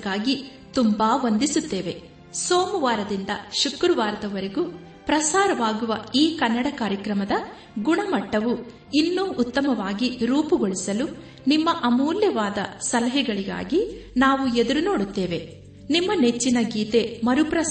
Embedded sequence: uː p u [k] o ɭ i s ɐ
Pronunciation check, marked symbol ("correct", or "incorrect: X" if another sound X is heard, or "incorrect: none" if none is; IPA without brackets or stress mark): incorrect: ɡ